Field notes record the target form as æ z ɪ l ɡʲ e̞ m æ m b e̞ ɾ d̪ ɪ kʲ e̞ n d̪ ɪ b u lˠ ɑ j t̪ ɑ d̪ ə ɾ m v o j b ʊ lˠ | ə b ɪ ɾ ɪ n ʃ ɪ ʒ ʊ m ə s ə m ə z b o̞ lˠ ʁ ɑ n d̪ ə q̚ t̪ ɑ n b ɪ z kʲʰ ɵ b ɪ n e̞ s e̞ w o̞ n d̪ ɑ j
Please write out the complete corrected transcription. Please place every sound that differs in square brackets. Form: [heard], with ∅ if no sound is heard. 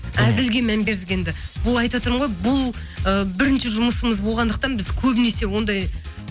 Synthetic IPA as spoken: æ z ɪ l ɡʲ e̞ m æ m b e̞ ɾ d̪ ɪ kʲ e̞ n d̪ ɪ b [ʊ] lˠ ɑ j t̪ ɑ [t̪] ə ɾ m [ʁ] o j b ʊ lˠ | ə b ɪ ɾ ɪ n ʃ ɪ ʒ ʊ m ə s ə m ə z b o̞ lˠ ʁ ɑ n d̪ ə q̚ t̪ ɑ n b ɪ z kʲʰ ɵ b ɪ n e̞ s e̞ w o̞ n d̪ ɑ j